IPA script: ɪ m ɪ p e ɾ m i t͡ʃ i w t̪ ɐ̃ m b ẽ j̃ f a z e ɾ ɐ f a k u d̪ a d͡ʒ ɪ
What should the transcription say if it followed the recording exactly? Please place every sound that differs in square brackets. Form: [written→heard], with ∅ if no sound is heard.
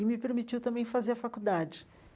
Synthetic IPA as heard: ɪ m ɪ p e ɾ m i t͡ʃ i w t̪ ɐ̃ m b ẽ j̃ f a z e ɾ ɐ f a k u d̪ a d͡ʒ ɪ